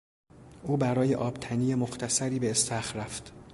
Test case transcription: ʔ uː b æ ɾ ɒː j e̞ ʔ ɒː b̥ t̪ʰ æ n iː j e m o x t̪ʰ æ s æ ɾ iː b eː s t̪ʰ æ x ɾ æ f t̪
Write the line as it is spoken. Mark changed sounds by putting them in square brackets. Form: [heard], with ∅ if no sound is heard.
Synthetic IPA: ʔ uː b æ ɾ ɒː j e̞ ʔ ɒː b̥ t̪ʰ æ n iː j e m o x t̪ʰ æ s æ ɾ iː b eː s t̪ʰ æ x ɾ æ f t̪